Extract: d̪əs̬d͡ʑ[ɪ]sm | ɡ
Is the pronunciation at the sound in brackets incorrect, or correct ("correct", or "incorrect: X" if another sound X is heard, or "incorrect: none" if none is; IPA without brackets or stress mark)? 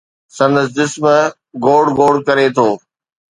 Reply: correct